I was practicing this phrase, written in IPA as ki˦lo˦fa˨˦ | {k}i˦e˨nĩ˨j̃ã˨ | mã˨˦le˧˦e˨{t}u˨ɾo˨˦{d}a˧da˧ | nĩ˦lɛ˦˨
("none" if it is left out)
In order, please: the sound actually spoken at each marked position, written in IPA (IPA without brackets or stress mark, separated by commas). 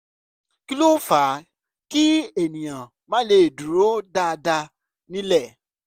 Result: k, d, d